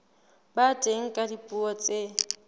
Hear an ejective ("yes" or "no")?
yes